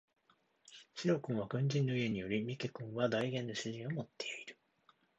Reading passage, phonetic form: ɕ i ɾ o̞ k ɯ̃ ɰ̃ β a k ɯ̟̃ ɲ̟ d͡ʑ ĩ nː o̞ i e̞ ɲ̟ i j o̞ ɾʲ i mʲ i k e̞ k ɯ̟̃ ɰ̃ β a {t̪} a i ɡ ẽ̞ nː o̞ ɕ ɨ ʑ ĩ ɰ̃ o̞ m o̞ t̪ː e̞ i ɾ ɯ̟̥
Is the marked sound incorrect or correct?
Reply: incorrect